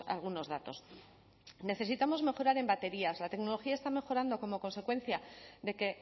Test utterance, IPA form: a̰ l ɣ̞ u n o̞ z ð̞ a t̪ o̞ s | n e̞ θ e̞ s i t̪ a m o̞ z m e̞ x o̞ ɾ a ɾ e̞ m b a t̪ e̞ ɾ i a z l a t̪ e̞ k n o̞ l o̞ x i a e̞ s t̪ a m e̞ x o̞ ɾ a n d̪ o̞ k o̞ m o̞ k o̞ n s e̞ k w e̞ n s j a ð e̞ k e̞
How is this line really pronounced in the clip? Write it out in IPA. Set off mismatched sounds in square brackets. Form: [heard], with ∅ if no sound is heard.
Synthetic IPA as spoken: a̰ l ɣ̞ u n o̞ z ð̞ a t̪ o̞ s | n e̞ θ e̞ s i t̪ a m o̞ z m e̞ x o̞ ɾ a ɾ e̞ m b a t̪ e̞ ɾ i a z l a t̪ e̞ k n o̞ l o̞ x i a e̞ s t̪ a m e̞ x o̞ ɾ a n d̪ o̞ k o̞ m o̞ k o̞ n s e̞ k w e̞ n [θ] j a ð e̞ k e̞